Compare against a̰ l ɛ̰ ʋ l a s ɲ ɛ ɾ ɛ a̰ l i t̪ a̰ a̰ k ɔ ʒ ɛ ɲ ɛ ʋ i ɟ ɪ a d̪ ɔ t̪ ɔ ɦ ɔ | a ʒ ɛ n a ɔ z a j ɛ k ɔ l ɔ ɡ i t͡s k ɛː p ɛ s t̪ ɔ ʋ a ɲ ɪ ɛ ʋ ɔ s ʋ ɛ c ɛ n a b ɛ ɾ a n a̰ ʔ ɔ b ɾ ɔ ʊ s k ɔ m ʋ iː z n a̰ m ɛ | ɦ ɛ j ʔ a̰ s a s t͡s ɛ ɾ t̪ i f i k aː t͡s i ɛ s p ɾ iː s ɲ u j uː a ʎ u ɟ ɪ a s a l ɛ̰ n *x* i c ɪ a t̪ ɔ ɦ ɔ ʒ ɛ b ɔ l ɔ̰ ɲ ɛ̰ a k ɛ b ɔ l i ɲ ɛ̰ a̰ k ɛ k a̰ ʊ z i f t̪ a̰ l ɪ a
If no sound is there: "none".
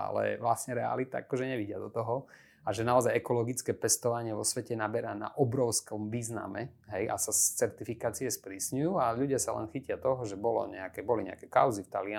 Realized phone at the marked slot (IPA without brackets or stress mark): x